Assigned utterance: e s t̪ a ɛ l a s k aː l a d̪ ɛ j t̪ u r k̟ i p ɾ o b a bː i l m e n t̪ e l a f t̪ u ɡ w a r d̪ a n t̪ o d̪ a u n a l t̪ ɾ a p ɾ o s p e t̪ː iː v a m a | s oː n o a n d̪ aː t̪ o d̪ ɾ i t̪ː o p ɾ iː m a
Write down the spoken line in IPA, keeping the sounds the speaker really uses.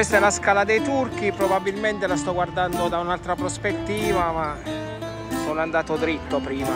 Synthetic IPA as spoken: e s t̪ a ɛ l a s k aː l a d̪ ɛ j t̪ u r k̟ i p ɾ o b a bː i l m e n t̪ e l a s t̪ ɔ ɡ w a r d̪ a n d̪ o d̪ a u n a l t̪ ɾ a p ɾ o s p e t̪ː iː v a m a | s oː n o a n d̪ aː t̪ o d̪ ɾ i t̪ː o p ɾ iː m a